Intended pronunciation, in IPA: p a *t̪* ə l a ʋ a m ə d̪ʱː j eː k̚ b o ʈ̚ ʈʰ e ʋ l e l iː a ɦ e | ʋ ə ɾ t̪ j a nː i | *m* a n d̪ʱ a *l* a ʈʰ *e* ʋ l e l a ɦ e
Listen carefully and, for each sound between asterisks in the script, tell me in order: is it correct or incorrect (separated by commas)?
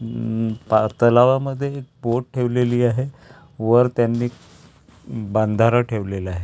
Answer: correct, incorrect, incorrect, correct